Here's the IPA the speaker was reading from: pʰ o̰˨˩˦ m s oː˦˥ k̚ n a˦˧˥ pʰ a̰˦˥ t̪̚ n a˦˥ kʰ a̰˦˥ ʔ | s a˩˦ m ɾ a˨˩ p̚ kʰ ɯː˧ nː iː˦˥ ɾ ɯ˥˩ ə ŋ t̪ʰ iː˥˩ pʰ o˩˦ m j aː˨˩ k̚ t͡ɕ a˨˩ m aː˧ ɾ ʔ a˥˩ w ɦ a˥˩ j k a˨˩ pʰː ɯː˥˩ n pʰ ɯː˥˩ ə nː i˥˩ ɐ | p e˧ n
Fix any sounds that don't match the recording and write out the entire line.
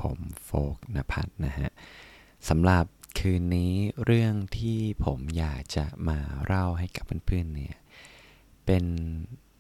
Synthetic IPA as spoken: pʰ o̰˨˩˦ m f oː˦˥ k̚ n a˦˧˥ pʰ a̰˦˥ t̪̚ n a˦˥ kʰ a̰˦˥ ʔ | s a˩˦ m ɾ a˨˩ p̚ kʰ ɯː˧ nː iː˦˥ ɾ ɯ˥˩ ə ŋ t̪ʰ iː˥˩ pʰ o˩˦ m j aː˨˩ k̚ t͡ɕ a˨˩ m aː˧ ɾ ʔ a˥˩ w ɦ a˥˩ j k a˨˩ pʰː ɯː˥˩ n pʰ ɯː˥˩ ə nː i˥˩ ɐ | p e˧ n